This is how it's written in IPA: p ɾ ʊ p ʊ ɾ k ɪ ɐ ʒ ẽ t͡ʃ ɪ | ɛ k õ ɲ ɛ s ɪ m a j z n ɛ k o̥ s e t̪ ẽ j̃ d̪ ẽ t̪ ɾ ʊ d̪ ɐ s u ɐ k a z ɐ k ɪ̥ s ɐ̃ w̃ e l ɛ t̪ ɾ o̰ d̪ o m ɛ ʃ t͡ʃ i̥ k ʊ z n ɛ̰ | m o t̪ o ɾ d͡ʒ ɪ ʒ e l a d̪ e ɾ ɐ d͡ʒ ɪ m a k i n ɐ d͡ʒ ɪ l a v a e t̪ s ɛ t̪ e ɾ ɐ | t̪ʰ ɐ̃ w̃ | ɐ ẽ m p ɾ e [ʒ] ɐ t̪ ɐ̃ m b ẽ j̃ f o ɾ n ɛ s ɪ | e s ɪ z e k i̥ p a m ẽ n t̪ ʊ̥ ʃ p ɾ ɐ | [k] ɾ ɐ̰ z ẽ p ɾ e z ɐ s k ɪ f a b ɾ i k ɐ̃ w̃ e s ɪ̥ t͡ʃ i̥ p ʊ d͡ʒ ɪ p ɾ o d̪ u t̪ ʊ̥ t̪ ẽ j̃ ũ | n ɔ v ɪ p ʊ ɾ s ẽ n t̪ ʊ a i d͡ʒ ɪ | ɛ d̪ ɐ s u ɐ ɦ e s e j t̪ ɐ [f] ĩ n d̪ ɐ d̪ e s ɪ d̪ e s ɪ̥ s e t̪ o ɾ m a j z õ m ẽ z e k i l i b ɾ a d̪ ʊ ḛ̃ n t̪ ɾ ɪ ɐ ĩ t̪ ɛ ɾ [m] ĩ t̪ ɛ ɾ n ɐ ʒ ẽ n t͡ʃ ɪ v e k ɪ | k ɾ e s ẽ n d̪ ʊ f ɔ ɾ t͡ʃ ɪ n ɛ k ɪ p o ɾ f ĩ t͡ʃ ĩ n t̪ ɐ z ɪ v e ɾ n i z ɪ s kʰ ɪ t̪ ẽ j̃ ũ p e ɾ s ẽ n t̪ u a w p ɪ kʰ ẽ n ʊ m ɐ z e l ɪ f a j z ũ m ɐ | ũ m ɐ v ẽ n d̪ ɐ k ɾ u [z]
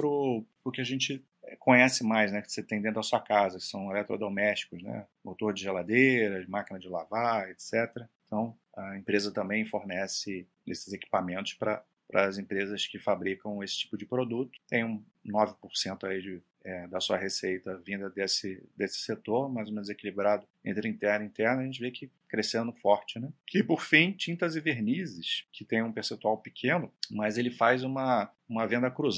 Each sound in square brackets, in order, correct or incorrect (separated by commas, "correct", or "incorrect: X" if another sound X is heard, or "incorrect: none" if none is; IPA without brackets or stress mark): incorrect: z, incorrect: p, incorrect: v, incorrect: n, correct